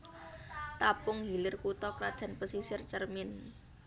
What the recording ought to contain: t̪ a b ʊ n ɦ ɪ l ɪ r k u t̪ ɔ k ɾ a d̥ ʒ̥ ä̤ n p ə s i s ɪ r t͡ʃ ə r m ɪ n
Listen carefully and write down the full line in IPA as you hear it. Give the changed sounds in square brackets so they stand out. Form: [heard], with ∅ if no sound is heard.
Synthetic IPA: t̪ a [p] ʊ [ŋ] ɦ [i] l ɪ r k u t̪ ɔ k ɾ a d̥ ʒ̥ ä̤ n p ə s i s ɪ r t͡ʃ ə r m ɪ n